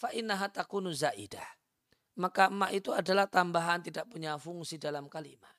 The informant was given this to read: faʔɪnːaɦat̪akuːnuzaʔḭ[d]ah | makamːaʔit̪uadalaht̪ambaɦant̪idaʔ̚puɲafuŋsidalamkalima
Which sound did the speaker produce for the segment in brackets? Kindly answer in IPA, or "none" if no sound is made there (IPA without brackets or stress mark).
d